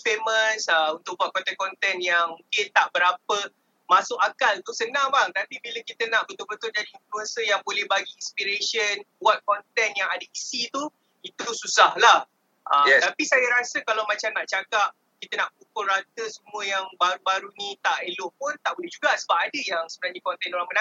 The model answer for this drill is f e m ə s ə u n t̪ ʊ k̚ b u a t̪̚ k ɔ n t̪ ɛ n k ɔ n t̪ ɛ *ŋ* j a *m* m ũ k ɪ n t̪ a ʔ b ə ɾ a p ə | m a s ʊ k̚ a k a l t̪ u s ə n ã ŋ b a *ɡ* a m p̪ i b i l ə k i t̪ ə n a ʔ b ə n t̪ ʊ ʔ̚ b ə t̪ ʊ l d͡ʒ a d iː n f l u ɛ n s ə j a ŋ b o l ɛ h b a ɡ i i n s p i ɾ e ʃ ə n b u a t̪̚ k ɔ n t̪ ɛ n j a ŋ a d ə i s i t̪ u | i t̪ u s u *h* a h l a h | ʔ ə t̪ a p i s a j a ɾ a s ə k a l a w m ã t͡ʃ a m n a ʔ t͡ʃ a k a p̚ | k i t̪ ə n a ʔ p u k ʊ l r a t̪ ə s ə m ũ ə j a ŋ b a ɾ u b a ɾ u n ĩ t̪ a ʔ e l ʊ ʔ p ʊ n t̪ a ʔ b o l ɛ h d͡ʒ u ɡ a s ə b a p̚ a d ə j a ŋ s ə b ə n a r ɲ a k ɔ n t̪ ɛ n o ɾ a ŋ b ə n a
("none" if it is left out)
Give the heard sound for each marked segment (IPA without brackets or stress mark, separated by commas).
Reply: n, ŋ, ŋ, s